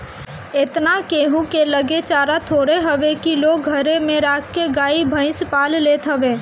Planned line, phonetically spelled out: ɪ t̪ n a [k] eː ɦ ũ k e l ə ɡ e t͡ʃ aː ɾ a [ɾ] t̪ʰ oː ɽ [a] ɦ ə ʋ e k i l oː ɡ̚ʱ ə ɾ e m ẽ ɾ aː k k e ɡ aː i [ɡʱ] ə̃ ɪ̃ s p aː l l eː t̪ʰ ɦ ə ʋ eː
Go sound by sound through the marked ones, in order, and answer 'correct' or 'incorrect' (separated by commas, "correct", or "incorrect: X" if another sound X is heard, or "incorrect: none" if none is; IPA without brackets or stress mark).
correct, incorrect: none, incorrect: e, incorrect: bʱ